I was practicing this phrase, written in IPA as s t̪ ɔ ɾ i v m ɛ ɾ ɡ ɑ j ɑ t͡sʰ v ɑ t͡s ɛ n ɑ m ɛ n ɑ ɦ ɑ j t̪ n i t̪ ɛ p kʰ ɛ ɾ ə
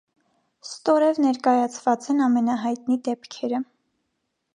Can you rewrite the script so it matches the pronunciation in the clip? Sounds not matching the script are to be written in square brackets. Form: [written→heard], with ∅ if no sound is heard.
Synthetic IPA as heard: s t̪ ɔ ɾ [i→ɛ] v [m→n] ɛ ɾ [ɡ→k] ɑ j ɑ t͡sʰ v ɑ t͡s ɛ n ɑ m ɛ n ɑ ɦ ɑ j t̪ n i [t̪→d̪] ɛ p kʰ ɛ ɾ ə